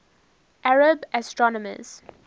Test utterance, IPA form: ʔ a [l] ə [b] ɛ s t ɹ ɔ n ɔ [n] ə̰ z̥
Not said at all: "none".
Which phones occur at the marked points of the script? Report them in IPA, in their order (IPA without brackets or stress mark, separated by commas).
ɹ, b, m